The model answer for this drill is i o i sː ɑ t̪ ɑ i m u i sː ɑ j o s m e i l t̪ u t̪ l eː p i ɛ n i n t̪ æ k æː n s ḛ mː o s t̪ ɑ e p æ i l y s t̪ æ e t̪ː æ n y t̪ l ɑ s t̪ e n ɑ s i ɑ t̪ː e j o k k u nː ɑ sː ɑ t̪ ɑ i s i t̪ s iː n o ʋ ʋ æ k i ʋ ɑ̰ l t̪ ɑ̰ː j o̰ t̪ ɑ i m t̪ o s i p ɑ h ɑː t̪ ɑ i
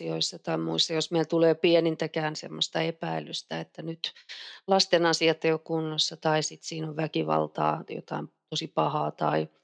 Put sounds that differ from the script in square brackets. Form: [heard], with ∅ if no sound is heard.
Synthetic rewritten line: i o i sː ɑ t̪ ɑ i m u i sː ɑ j o s m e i l t̪ u [∅] l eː p i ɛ n i n t̪ æ k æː n s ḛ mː o s t̪ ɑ e p æ i l y s t̪ æ e t̪ː æ n y t̪ l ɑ s t̪ e n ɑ s i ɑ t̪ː e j o k k u nː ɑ sː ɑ t̪ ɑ i s i t̪ s iː n o ʋ ʋ æ k i ʋ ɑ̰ l t̪ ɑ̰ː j o̰ t̪ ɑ i m t̪ o s i p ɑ h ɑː t̪ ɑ i